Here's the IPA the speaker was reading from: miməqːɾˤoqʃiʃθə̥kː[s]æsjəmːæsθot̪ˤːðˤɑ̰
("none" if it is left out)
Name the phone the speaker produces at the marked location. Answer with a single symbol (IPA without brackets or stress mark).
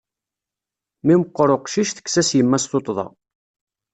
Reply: s